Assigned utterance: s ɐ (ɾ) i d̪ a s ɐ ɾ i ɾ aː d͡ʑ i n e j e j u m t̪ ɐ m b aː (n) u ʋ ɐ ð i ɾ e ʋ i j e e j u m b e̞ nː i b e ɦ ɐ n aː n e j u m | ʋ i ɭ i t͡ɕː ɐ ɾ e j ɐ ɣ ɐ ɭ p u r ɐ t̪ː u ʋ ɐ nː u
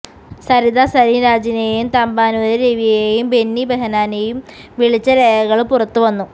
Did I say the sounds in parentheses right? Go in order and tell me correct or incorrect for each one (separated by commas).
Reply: correct, correct